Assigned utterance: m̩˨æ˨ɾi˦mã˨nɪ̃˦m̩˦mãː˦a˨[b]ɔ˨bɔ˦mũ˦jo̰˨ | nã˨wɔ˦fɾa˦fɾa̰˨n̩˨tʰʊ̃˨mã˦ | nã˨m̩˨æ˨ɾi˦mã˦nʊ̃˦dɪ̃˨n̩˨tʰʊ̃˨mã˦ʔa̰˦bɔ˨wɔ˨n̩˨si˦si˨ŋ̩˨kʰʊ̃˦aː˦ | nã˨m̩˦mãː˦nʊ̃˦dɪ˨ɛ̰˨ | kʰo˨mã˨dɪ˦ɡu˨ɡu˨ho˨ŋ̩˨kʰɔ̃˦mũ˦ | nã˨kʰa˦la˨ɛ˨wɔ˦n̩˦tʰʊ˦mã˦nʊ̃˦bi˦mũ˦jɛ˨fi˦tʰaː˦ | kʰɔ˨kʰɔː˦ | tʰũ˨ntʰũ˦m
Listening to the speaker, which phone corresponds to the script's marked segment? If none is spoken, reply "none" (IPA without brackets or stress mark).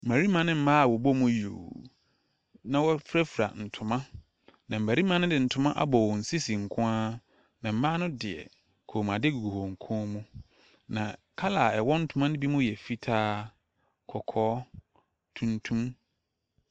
w